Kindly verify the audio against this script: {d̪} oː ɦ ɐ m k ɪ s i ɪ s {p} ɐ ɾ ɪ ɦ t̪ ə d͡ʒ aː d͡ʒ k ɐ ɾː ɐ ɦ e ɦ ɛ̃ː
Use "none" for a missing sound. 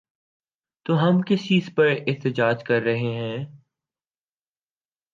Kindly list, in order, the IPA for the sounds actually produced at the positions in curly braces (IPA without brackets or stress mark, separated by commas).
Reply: t̪, p